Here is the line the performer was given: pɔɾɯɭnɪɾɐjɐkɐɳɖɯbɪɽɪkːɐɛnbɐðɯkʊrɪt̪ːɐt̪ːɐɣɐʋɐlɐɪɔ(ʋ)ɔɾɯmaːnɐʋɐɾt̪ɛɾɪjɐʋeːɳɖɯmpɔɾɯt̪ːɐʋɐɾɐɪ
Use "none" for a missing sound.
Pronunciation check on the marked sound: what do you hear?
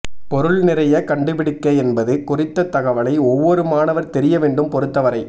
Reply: ʋː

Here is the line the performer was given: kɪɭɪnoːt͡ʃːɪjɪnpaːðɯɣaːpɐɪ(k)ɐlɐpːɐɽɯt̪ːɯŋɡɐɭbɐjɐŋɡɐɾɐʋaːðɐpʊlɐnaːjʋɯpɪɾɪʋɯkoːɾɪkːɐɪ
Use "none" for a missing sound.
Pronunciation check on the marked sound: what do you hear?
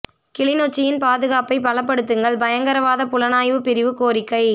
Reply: p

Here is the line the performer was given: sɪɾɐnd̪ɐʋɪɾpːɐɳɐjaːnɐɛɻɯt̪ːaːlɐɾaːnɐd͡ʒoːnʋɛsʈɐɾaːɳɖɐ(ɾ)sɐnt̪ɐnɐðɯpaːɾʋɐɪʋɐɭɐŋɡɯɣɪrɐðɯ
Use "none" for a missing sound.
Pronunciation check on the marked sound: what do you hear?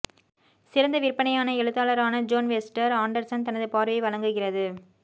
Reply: ɾ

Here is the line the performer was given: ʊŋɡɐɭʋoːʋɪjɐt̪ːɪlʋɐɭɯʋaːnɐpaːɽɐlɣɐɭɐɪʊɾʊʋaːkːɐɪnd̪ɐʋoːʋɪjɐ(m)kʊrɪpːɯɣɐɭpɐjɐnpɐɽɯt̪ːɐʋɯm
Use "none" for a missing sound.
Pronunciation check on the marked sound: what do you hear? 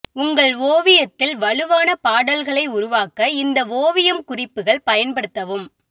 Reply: m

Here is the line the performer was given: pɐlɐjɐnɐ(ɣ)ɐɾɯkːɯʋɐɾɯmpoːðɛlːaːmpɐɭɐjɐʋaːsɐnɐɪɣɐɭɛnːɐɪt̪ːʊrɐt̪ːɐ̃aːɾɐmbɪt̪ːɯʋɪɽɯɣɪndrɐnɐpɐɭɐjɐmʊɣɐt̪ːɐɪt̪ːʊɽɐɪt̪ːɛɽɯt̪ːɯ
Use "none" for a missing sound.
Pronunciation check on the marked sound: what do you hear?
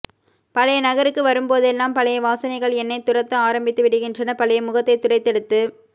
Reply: ɣ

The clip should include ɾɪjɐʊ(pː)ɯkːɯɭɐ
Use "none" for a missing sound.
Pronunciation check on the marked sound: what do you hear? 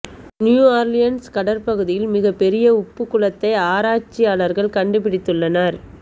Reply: pː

